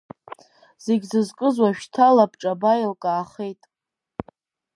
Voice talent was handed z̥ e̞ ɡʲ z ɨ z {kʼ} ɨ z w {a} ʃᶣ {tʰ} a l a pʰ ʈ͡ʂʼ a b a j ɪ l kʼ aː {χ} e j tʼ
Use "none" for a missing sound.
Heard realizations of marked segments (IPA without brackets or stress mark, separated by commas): kʼ, a, tʰ, χ